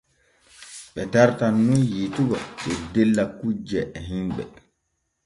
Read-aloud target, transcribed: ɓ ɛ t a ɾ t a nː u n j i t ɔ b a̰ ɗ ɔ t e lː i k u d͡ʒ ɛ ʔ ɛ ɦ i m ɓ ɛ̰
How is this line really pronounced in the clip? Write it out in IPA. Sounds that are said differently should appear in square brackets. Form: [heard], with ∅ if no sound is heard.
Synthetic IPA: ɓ ɛ t a ɾ t a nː u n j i t [u] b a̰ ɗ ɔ [d] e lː [a] k u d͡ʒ ɛ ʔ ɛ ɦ i m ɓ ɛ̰